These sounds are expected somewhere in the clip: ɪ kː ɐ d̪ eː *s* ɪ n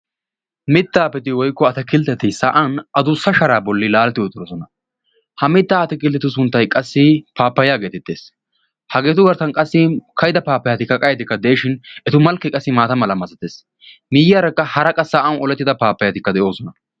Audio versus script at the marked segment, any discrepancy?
yes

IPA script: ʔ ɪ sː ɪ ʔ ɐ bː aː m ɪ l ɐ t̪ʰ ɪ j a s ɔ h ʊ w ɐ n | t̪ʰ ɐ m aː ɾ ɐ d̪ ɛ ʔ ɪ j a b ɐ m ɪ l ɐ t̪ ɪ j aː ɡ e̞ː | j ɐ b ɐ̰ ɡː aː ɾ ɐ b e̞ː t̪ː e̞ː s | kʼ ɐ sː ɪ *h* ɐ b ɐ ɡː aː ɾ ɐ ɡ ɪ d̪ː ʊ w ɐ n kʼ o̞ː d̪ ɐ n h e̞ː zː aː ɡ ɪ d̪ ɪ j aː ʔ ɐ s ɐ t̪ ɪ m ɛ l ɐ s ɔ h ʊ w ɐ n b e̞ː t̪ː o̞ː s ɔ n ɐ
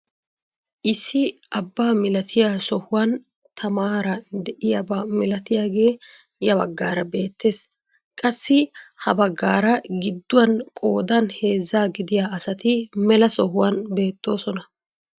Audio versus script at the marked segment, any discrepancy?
no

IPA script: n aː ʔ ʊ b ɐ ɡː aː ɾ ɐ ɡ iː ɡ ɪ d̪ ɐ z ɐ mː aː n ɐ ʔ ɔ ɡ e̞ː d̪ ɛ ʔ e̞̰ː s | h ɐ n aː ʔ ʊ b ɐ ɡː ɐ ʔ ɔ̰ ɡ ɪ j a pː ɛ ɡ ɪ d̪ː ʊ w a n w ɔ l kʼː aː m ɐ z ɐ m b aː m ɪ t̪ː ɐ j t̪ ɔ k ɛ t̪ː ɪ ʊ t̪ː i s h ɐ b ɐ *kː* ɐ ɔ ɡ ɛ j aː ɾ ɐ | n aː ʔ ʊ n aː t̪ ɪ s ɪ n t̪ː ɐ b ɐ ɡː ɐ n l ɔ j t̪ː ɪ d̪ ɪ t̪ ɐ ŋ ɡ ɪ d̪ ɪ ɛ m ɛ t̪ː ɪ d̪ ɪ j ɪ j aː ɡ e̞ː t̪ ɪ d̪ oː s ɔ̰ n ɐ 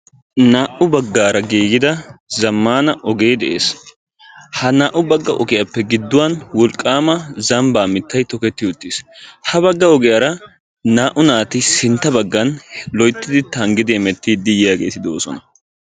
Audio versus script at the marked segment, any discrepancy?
yes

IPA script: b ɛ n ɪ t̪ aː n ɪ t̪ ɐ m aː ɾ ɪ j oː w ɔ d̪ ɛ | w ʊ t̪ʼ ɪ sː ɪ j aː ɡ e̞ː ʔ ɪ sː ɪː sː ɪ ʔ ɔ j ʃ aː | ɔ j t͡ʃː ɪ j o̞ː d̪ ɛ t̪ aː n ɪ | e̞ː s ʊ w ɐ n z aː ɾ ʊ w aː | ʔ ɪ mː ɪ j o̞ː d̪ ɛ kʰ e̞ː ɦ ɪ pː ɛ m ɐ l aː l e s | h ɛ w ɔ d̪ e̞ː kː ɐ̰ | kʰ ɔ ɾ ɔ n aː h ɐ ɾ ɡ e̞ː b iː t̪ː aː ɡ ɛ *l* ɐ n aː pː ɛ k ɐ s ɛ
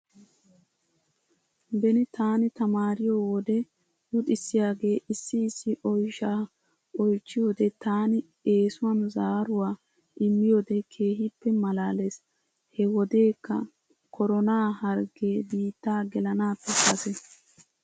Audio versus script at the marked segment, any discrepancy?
no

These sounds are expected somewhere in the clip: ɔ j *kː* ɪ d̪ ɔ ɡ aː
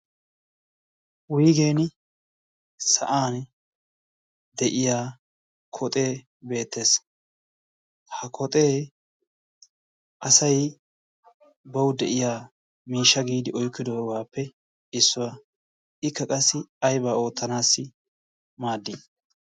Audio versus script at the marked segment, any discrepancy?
no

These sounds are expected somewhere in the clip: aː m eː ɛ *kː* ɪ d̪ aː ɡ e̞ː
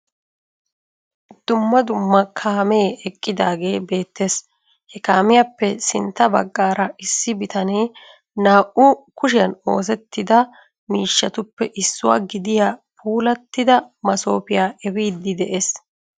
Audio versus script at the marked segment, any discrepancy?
yes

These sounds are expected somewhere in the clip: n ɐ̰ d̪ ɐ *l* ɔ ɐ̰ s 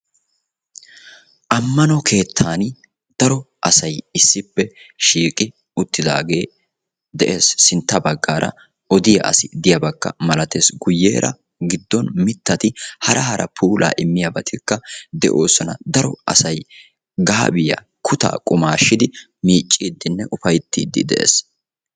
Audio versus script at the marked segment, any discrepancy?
yes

